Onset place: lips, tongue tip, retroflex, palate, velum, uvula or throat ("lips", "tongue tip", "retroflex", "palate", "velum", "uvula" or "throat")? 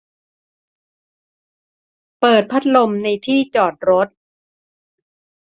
lips